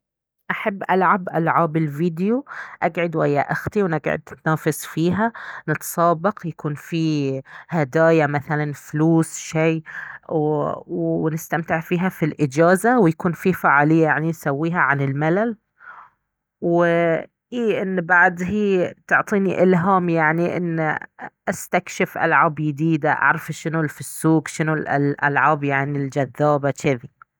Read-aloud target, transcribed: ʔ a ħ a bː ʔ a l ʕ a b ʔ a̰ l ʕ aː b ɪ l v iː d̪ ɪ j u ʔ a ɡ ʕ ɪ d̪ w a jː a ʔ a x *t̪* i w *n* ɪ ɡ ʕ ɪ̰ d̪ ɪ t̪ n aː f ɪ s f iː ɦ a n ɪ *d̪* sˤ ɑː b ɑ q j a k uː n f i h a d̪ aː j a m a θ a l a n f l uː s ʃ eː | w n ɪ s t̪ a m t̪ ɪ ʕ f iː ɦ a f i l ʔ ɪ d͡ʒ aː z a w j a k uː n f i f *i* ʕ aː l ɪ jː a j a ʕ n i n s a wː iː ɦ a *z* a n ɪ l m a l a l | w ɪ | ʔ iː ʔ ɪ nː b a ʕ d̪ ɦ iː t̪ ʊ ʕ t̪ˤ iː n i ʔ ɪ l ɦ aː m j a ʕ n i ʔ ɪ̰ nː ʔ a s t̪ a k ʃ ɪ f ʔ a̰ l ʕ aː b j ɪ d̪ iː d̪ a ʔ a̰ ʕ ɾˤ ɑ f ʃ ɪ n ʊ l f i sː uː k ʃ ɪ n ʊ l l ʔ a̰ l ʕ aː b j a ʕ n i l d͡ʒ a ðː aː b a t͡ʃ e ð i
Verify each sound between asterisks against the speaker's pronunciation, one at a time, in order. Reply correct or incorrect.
correct, correct, incorrect: t̪, incorrect: a, incorrect: ʕ

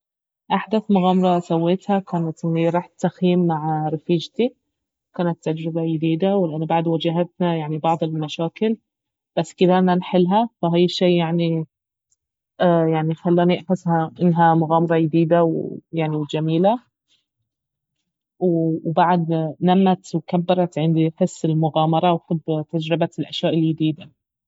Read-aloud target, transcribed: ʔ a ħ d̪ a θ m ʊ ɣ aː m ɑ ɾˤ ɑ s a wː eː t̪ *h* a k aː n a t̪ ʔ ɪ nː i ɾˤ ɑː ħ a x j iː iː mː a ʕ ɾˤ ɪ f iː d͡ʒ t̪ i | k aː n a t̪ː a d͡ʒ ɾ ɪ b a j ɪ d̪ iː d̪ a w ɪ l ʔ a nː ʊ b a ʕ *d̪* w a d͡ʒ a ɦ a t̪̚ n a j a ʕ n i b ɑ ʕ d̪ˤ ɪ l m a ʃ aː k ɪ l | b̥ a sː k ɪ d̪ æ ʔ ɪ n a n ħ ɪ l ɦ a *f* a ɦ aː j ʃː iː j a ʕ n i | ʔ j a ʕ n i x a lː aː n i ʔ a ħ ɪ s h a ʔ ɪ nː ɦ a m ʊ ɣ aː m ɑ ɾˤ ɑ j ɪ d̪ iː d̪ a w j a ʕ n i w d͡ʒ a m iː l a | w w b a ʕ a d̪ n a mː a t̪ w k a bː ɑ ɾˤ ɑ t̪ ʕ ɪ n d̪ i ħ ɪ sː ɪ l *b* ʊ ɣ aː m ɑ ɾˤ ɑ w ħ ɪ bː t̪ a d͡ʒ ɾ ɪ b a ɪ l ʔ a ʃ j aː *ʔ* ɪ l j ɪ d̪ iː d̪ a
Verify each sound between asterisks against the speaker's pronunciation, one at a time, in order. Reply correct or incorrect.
correct, correct, correct, incorrect: m, correct

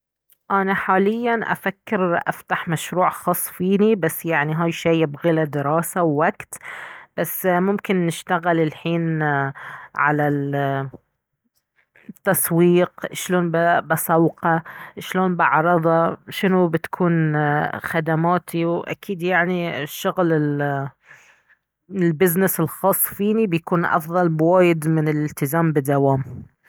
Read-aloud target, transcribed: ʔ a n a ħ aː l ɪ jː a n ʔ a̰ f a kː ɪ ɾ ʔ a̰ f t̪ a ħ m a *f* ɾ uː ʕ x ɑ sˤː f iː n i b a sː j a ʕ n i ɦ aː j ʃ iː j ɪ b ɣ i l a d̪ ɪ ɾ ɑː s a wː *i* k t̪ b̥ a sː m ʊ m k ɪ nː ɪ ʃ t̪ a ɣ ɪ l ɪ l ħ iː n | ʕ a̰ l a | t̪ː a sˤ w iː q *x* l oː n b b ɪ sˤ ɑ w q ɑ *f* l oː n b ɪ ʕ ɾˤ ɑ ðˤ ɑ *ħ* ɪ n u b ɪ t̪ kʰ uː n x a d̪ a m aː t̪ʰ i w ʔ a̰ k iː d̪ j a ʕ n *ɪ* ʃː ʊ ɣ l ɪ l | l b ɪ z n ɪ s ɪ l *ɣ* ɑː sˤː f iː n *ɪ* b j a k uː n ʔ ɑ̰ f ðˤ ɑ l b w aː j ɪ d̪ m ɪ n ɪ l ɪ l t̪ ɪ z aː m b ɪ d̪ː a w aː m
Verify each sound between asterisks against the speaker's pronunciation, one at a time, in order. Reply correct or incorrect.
incorrect: ʃ, incorrect: a, incorrect: ʃ, incorrect: ʃ, incorrect: ʃ, incorrect: i, incorrect: x, incorrect: i

